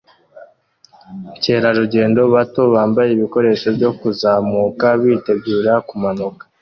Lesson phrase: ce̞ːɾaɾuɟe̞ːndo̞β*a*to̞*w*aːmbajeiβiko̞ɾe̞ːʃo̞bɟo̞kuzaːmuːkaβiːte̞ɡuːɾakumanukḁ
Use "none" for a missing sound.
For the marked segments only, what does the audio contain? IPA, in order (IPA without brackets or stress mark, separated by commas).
a, β